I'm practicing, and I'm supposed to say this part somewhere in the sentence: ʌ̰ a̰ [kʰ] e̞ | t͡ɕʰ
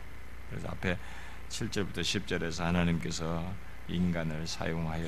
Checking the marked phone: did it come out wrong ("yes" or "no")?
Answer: yes